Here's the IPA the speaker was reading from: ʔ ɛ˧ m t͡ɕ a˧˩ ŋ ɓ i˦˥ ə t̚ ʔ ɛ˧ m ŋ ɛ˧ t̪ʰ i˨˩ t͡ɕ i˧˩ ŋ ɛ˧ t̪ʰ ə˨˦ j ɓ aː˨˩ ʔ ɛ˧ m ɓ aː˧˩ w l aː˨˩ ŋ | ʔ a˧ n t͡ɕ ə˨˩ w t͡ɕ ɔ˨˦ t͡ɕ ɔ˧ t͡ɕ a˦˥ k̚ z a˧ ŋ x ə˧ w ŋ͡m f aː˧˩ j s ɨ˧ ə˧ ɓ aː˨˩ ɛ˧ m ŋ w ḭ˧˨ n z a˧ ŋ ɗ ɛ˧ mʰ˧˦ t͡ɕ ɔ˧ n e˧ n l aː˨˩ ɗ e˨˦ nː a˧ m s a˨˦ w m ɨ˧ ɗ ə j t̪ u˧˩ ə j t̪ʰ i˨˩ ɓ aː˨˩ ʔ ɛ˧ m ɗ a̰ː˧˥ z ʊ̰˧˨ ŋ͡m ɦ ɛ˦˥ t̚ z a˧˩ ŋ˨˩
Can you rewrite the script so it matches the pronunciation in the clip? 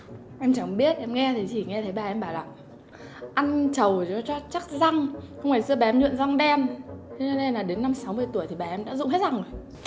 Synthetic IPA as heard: ʔ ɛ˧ m t͡ɕ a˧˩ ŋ ɓ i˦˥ ə t̚ ʔ ɛ˧ m ŋ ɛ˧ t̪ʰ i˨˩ t͡ɕ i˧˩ ŋ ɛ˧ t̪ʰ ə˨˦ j ɓ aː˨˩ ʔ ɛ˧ m ɓ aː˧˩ w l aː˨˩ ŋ | ʔ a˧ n t͡ɕ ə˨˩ w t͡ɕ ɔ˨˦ t͡ɕ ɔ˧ t͡ɕ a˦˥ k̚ z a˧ ŋ x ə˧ w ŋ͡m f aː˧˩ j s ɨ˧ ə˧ ɓ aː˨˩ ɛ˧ m ɲ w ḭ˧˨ n z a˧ ŋ ɗ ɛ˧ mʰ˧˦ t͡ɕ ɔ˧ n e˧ n l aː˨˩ ɗ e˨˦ nː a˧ m s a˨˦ w m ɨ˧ ə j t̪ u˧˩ ə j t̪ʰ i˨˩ ɓ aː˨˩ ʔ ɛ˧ m ɗ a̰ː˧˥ z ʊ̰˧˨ ŋ͡m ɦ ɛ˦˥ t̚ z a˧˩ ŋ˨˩